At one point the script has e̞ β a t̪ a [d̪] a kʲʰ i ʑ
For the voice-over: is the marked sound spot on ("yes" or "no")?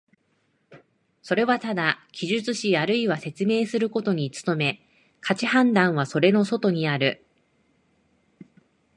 yes